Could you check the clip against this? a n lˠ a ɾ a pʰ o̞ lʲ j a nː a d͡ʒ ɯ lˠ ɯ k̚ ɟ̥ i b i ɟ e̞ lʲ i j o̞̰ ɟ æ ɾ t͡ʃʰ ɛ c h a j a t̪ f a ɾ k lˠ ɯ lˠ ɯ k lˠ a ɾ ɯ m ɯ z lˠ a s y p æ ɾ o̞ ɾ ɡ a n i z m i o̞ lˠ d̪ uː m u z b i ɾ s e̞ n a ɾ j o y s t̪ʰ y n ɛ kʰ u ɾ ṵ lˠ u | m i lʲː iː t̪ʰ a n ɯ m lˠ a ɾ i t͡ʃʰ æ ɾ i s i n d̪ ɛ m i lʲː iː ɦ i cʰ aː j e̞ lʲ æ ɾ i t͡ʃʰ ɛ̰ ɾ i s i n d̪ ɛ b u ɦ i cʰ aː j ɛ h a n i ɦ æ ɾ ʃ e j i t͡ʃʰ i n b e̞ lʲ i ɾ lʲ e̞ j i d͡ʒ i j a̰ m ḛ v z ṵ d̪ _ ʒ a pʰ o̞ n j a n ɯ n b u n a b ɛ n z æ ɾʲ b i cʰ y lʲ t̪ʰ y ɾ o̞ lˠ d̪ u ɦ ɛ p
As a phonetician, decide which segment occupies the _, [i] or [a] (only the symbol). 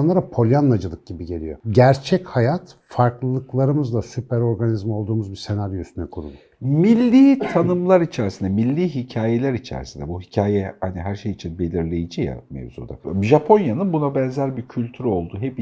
a